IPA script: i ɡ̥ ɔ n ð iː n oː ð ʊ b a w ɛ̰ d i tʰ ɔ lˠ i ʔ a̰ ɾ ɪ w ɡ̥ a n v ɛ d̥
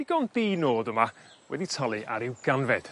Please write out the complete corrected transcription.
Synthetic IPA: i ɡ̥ ɔ n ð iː n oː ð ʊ m a w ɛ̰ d i tʰ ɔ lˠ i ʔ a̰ ɾ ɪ w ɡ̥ a n v ɛ d̥